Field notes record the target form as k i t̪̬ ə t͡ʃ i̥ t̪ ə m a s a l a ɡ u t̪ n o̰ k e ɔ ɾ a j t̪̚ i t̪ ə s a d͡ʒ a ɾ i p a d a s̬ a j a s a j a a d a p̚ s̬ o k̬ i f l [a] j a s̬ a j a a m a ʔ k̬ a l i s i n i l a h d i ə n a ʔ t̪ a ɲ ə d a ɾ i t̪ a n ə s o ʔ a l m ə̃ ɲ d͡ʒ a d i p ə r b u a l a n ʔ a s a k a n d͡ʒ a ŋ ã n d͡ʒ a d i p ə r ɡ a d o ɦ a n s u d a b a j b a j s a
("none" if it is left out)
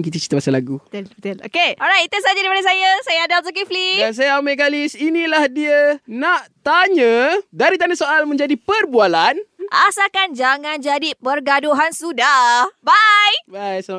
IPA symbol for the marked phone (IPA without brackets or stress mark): i